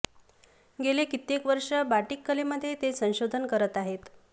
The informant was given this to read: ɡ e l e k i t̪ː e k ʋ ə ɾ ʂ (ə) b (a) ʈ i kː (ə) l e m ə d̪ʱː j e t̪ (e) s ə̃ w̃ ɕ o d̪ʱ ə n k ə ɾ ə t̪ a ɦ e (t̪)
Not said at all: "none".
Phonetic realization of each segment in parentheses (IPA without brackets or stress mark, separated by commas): ə, a, ə, e, t̪